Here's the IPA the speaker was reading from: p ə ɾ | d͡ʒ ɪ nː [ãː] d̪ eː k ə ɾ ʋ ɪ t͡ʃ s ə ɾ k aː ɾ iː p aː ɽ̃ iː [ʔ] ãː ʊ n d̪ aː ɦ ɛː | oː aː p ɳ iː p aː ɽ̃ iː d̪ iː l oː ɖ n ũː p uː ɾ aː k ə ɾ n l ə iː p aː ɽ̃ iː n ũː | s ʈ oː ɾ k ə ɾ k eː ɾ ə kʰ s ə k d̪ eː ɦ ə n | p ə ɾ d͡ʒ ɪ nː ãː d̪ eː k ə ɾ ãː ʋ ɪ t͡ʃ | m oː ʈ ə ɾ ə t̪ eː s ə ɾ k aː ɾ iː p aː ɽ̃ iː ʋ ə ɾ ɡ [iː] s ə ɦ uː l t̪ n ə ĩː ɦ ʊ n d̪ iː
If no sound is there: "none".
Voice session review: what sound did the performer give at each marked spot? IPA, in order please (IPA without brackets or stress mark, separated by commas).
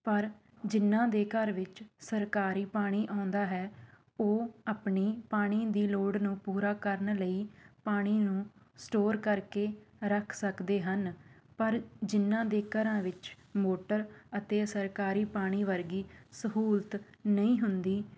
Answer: ãː, ʔ, iː